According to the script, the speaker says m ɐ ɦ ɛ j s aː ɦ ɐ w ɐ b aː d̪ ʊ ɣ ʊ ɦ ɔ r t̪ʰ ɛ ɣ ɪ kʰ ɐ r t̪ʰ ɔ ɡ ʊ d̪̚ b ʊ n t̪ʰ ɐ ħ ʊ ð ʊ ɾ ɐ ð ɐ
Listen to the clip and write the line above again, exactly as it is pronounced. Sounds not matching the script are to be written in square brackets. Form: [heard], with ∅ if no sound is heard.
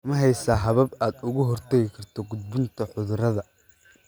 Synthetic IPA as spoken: m ɐ ɦ ɛ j s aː ɦ ɐ [β] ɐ b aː d̪ ʊ ɣ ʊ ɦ ɔ r t̪ʰ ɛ ɣ ɪ kʰ ɐ r t̪ʰ ɔ ɡ ʊ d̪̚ b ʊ n t̪ʰ ɐ ħ ʊ ð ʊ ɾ ɐ ð ɐ